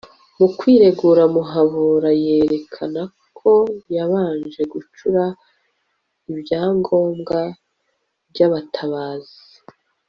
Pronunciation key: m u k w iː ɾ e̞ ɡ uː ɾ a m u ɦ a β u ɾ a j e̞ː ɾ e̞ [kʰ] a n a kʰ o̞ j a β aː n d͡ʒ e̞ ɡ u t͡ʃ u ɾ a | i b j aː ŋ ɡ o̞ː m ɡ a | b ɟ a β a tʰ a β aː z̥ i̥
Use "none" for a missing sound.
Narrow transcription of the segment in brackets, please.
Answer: kʰ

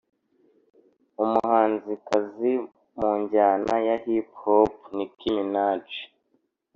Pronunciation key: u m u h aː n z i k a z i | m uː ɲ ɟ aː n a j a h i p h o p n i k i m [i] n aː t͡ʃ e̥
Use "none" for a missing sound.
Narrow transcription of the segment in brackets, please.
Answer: i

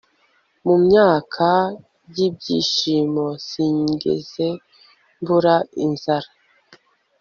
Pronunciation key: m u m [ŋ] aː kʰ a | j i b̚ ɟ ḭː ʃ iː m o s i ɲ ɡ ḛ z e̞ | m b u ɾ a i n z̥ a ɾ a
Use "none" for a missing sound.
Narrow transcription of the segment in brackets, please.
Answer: ɲ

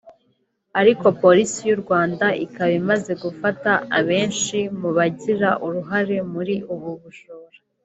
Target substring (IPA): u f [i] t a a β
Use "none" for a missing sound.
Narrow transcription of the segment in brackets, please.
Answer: a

